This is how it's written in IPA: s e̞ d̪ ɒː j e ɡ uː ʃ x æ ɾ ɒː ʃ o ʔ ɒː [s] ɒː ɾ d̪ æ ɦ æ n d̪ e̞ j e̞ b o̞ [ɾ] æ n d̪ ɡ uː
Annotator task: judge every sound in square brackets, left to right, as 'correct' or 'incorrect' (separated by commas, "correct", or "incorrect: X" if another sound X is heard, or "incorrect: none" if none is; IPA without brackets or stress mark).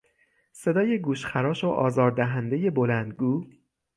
incorrect: z, incorrect: l